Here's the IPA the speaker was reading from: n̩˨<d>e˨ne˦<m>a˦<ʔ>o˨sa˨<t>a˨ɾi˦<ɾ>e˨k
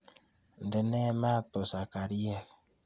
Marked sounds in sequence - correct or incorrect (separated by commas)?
correct, correct, incorrect, incorrect, incorrect